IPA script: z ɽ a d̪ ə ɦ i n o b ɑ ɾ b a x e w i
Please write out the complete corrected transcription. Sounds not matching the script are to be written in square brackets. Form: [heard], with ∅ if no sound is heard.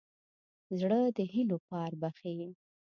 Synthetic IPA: z ɽ [ə] d̪ ə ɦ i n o [p] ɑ ɾ b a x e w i